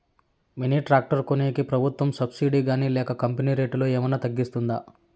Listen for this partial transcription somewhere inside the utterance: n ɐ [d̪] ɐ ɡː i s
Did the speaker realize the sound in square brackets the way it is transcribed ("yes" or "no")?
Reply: no